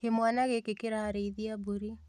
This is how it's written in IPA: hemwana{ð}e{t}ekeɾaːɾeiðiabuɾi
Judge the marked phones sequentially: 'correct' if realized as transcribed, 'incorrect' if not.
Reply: incorrect: ɣ, incorrect: k

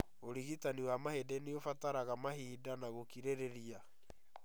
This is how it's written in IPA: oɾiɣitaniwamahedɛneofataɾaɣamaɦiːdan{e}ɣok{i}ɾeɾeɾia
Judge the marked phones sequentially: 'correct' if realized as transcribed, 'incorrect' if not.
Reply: incorrect: a, correct

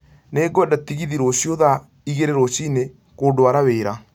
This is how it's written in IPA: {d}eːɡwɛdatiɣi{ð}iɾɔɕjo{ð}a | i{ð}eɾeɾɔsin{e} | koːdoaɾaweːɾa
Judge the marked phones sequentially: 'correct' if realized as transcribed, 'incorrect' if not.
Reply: incorrect: n, correct, correct, incorrect: ɣ, correct

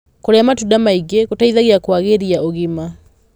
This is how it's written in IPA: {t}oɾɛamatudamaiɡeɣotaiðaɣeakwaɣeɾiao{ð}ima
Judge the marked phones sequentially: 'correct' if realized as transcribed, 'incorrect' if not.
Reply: incorrect: k, incorrect: ɣ

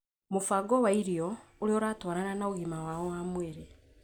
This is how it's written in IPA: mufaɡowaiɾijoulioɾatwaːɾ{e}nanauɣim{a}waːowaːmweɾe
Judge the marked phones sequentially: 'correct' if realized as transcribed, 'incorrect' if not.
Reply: incorrect: a, correct

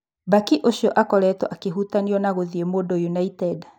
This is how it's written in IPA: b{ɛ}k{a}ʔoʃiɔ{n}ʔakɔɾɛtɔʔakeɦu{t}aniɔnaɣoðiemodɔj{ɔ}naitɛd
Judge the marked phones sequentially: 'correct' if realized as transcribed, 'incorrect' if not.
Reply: incorrect: a, incorrect: i, incorrect: none, correct, incorrect: u

